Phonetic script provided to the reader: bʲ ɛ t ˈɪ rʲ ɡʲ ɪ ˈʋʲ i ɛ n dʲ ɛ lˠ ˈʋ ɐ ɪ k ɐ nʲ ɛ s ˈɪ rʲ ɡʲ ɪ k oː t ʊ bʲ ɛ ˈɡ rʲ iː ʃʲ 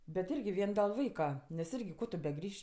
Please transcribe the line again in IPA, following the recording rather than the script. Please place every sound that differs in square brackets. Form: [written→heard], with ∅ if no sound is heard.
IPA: bʲ ɛ t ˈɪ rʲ ɡʲ ɪ ˈʋʲ i ɛ n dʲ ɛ lˠ ˈʋ ɐ ɪ k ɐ nʲ ɛ s ˈɪ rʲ ɡʲ ɪ k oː t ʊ bʲ ɛ ˈɡ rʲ iː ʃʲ